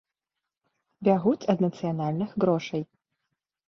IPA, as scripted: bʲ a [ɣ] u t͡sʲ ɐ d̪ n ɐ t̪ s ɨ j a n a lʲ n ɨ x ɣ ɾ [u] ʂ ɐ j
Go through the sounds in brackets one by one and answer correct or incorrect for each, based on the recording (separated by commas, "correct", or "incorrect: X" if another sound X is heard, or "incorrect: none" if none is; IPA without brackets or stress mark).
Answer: correct, incorrect: ɔ